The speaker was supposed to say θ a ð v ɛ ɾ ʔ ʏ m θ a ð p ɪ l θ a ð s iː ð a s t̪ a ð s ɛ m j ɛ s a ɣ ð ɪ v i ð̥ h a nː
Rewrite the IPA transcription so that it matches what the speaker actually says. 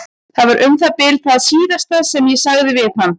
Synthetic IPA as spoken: θ a ð v a ɾ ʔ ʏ m θ a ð p ɪ l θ a ð s iː ð a s t̪ a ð s ɛ m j ɛ s a ɣ ð ɪ v ɪ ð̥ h a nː